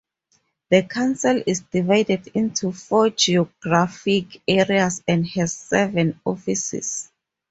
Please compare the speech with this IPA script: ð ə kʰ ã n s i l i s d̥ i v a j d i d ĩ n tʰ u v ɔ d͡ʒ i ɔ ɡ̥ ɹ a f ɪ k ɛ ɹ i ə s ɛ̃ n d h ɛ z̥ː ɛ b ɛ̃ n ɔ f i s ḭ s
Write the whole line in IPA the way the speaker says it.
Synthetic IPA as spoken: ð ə kʰ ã n s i l i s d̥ i v a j d ɛ d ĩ n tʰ u f ɔ d͡ʒ i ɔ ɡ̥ ɹ a f i k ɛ ɹ i a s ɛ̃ n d h ɛ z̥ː ɛ v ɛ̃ n ɔ f i s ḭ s